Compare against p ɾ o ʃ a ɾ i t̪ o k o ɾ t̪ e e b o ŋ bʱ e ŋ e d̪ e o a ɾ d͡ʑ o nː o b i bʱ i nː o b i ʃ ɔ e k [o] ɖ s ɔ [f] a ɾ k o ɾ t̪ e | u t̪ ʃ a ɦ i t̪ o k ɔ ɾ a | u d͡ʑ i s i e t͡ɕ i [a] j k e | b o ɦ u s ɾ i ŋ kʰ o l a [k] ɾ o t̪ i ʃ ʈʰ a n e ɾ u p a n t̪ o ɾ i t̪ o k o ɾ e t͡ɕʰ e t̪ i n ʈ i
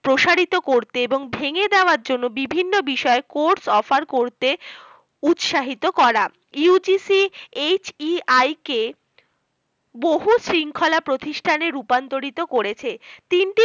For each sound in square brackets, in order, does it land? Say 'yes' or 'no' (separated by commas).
yes, yes, yes, no